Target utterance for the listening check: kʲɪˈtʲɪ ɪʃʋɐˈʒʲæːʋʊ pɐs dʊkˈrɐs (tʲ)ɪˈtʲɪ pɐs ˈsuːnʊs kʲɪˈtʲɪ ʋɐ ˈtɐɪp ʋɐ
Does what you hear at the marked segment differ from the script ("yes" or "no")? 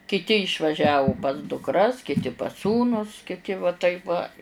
yes